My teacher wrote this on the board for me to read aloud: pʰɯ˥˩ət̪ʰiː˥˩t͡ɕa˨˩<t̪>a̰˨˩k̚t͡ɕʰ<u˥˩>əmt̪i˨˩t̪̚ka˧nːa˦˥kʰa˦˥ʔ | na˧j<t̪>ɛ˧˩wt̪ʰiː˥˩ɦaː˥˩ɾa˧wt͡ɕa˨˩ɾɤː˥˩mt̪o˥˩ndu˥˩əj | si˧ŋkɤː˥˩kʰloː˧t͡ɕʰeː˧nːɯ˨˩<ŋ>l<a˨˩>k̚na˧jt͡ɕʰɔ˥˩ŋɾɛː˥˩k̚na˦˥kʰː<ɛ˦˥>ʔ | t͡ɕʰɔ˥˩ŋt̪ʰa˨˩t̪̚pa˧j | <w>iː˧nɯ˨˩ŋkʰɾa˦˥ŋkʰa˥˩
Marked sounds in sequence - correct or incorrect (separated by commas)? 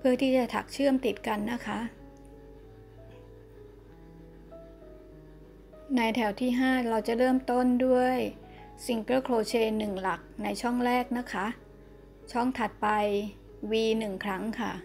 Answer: incorrect, incorrect, incorrect, correct, correct, incorrect, correct